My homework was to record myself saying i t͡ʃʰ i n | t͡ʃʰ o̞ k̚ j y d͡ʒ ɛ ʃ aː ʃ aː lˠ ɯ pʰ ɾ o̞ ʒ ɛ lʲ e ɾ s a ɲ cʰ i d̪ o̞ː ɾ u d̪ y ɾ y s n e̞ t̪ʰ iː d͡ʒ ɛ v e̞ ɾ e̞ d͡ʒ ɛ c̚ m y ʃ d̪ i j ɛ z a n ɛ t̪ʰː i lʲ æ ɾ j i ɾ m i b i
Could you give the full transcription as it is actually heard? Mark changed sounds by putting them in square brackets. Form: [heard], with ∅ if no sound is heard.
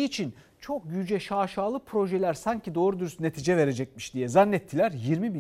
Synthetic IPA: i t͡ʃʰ i n | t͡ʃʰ o̞ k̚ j y d͡ʒ ɛ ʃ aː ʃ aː lˠ ɯ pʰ ɾ o̞ ʒ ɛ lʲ [æ] ɾ s a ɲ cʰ i d̪ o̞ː ɾ u d̪ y ɾ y s n e̞ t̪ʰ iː d͡ʒ ɛ v e̞ ɾ e̞ d͡ʒ ɛ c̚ m [i] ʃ d̪ i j ɛ z a [nː] ɛ t̪ʰː i lʲ æ ɾ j i ɾ m i b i